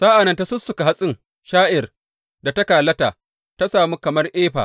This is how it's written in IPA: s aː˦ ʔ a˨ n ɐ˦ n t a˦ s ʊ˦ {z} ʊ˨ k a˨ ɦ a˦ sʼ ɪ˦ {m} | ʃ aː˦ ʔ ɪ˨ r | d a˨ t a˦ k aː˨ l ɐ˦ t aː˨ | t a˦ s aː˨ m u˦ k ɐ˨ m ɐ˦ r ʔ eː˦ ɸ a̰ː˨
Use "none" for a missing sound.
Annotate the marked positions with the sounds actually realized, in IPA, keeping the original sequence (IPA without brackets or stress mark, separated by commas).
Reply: s, ŋ